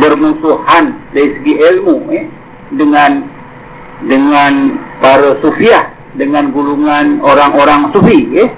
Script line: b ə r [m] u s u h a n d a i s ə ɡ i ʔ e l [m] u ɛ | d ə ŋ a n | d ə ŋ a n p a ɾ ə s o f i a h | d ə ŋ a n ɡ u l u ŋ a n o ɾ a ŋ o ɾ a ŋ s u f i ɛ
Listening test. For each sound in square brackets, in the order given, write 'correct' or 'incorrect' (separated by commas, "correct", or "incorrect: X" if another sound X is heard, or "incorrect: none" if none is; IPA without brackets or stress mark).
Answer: correct, correct